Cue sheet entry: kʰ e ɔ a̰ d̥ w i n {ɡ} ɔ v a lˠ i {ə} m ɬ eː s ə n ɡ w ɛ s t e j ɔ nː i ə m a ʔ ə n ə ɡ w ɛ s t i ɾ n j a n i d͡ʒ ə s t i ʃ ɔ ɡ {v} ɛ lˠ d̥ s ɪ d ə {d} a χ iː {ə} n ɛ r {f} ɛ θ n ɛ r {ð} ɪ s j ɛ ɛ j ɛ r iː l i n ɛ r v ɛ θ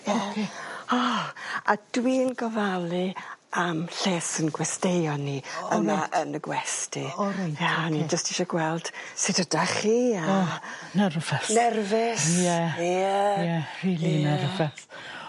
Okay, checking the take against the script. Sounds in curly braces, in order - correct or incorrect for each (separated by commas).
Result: correct, incorrect, incorrect, correct, incorrect, incorrect, incorrect